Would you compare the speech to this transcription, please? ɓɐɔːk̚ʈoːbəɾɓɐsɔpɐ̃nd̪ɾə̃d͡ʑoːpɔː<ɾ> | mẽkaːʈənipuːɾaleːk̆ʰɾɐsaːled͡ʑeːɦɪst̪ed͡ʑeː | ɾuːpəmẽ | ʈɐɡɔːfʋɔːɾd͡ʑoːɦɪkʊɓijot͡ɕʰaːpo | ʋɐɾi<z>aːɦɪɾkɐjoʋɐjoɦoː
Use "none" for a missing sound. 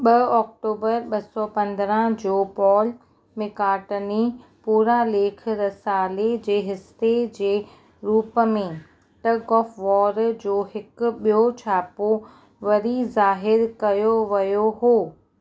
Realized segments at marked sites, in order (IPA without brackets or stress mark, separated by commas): l, z